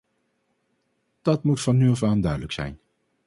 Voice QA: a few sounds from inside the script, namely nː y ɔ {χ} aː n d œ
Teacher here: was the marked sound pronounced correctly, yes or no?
no